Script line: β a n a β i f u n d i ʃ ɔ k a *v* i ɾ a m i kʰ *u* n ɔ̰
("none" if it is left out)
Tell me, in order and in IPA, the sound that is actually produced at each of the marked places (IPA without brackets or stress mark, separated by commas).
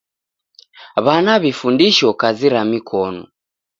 z, ɔ